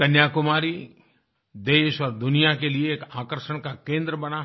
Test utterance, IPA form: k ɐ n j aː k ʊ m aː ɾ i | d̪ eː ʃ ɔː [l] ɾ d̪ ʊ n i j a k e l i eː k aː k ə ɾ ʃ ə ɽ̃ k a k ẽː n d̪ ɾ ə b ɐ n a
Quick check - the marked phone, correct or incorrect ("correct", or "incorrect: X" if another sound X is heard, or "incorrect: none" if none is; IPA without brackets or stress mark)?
incorrect: none